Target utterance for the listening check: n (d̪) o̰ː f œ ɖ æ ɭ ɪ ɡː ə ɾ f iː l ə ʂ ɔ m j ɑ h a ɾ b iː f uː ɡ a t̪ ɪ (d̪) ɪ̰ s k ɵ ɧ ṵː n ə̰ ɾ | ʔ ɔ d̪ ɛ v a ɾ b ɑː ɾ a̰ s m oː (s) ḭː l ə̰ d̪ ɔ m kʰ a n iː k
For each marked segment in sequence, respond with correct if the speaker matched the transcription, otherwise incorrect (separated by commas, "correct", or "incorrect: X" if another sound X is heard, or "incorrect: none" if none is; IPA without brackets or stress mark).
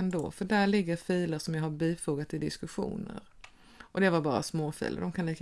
correct, correct, incorrect: f